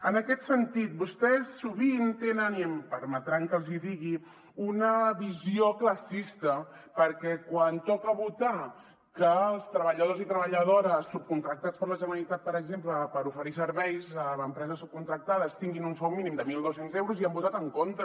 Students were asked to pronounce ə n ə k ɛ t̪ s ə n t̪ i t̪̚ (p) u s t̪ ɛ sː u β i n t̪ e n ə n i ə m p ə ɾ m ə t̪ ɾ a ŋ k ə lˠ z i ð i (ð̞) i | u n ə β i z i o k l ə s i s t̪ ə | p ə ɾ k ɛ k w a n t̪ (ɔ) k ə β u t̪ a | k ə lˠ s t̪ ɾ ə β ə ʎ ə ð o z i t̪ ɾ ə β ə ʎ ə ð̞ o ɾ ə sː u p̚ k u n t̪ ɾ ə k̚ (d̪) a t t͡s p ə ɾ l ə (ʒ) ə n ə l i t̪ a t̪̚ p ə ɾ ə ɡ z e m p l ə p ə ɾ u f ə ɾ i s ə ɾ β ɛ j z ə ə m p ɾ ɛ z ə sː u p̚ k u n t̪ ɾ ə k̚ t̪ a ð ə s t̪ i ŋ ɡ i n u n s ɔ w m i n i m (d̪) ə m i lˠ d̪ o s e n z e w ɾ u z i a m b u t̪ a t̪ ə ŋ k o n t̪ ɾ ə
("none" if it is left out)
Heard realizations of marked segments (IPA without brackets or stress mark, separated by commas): b, ɣ̞, ɔ, t̪, ʒ, d̪